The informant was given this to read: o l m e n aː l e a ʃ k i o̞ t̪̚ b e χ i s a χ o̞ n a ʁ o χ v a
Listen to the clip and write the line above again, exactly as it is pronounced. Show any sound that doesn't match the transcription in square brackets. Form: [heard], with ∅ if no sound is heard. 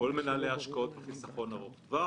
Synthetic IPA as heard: o l m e n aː l e a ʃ k [a] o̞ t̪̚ b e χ i s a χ o̞ n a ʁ o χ v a